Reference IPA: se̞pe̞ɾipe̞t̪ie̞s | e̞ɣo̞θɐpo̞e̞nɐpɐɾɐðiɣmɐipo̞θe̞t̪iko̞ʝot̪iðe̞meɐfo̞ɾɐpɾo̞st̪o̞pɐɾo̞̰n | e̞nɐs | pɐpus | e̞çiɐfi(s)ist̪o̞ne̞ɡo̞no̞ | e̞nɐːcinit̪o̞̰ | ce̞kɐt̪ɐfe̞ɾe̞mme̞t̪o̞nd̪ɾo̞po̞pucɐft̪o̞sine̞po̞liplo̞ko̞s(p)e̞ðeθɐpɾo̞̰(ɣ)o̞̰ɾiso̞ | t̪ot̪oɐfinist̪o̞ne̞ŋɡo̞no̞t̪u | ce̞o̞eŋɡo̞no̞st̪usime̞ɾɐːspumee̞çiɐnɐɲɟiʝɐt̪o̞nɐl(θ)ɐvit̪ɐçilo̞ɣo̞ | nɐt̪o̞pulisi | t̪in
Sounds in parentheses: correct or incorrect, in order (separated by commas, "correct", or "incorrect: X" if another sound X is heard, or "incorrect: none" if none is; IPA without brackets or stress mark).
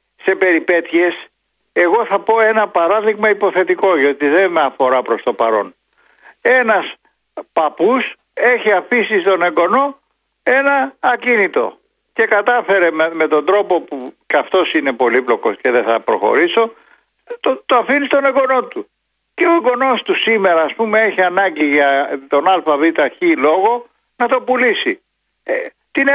correct, incorrect: c, incorrect: x, incorrect: f